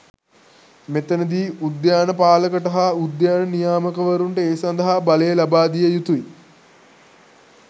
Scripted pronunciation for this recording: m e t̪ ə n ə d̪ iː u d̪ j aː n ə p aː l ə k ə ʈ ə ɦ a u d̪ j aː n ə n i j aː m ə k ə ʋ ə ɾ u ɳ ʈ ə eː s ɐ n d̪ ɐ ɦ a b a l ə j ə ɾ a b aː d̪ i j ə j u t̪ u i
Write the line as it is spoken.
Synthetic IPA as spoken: m e t̪ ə n ə d̪ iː u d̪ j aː n ə p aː l ə k ə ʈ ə ɦ a u d̪ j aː n ə n i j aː m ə k ə ʋ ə ɾ u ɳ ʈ ə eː s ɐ n d̪ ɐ ɦ a b a l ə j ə l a b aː d̪ i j ə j u t̪ u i